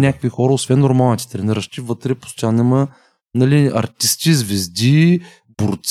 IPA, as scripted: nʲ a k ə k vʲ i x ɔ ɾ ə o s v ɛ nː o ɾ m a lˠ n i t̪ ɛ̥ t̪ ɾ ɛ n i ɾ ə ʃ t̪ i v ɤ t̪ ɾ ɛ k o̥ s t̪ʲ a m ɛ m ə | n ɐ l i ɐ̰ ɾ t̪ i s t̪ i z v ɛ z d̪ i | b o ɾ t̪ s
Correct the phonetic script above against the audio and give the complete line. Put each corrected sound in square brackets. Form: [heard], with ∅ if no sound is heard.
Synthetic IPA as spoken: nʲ a k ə k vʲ i x ɔ ɾ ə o s v ɛ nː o ɾ m a lˠ n i t̪ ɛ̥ t̪ ɾ ɛ n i ɾ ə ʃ t̪ i v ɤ t̪ ɾ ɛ [p] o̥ s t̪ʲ a [n] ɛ m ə | n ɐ l i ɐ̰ ɾ t̪ i s t̪ i z v ɛ z d̪ i | b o ɾ t̪ s